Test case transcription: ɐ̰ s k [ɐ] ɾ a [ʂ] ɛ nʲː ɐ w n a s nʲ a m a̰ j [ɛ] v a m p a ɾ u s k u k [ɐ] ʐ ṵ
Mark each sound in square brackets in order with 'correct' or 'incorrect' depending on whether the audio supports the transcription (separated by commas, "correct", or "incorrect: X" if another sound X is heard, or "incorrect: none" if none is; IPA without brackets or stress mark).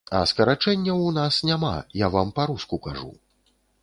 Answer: correct, incorrect: t͡ʂ, incorrect: a, incorrect: a